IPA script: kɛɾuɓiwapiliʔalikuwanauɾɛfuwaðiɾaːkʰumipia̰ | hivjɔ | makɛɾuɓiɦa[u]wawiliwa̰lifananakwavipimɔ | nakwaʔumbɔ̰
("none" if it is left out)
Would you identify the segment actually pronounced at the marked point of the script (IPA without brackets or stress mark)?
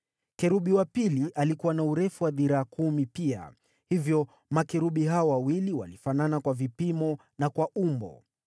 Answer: ɔ